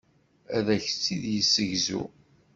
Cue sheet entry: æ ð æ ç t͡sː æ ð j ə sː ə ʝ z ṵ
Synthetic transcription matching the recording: æ ð æ ç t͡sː i ð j ə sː ə ʝ z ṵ